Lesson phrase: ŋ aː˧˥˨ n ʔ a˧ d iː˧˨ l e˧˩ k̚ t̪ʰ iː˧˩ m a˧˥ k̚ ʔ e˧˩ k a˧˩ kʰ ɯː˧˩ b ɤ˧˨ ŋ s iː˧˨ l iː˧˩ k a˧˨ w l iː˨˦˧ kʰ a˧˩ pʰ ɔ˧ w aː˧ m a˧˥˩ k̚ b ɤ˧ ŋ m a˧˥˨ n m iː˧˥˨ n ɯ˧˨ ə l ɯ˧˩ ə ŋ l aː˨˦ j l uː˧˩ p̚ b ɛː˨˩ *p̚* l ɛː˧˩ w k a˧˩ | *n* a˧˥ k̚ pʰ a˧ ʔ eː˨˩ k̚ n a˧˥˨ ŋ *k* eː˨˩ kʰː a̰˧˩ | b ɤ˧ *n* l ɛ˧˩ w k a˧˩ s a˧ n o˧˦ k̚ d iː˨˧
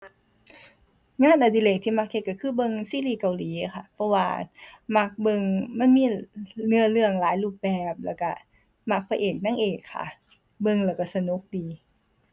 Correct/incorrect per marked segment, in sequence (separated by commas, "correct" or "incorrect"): correct, incorrect, incorrect, incorrect